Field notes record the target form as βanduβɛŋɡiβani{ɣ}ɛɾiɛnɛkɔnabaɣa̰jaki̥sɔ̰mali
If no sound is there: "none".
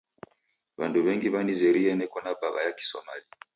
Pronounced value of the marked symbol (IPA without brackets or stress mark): z